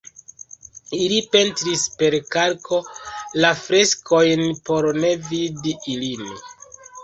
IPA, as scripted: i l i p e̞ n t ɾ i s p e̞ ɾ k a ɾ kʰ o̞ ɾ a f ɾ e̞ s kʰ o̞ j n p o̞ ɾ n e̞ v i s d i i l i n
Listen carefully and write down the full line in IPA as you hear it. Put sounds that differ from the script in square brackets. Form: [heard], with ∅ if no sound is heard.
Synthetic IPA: i l i p e̞ n t ɾ i s p e̞ ɾ k a ɾ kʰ o̞ [l] a f ɾ e̞ s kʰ o̞ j n p o̞ ɾ n e̞ v i [∅] d i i l i n